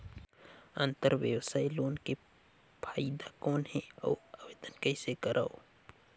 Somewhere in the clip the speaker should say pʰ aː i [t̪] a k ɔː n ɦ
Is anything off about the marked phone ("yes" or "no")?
yes